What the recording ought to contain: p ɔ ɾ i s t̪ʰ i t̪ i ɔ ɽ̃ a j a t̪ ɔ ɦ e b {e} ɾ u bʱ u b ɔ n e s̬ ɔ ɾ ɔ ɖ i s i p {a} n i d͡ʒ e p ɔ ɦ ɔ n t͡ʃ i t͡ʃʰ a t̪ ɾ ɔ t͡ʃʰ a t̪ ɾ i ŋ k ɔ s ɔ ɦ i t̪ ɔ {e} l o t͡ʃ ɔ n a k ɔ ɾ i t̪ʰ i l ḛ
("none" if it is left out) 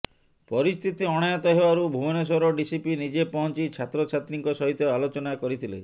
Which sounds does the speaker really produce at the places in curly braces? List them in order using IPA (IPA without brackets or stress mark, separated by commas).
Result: a, i, a